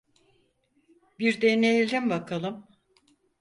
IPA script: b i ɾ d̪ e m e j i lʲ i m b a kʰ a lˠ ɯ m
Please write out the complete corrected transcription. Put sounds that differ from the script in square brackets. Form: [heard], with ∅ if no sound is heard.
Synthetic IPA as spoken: b i ɾ d̪ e [n] e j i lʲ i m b a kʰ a lˠ ɯ m